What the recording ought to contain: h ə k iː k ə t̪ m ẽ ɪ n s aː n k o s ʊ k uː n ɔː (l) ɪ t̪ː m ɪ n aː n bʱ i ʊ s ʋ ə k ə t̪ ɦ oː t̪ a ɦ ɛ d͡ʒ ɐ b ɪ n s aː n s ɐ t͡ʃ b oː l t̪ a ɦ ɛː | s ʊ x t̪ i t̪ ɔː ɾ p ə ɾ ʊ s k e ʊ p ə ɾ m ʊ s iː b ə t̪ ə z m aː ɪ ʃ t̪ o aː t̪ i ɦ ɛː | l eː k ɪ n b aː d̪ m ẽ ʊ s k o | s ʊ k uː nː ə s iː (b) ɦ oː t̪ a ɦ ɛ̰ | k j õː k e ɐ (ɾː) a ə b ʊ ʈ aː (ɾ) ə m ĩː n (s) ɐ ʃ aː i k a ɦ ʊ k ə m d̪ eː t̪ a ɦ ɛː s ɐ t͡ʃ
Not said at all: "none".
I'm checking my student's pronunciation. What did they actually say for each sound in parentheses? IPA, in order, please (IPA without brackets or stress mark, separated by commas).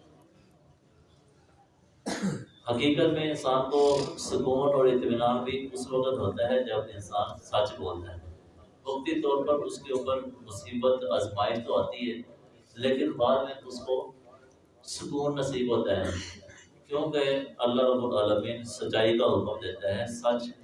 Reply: ɾ, b, lː, l, s